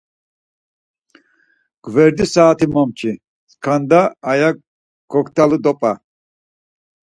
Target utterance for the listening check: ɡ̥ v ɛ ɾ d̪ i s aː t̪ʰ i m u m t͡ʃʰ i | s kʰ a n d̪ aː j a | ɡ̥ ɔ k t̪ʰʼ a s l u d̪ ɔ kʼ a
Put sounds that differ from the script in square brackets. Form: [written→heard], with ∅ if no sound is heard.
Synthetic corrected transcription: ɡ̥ v ɛ ɾ d̪ i s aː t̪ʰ i m [u→ɔ] m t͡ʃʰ i | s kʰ a n d̪ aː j a | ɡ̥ ɔ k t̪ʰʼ a [s→∅] l u d̪ ɔ [kʼ→pʼ] a